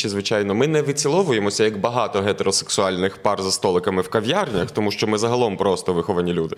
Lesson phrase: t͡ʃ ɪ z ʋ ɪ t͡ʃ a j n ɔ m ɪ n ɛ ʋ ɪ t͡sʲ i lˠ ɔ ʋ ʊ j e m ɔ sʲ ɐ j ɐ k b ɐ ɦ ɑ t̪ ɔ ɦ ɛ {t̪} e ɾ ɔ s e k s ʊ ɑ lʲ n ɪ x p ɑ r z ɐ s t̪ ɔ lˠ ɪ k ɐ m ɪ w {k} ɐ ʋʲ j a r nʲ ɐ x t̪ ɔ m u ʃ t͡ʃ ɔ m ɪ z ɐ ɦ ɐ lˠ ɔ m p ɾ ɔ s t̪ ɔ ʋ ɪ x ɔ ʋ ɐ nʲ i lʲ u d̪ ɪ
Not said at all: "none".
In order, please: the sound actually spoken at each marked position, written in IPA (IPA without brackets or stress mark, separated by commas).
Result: t̪, k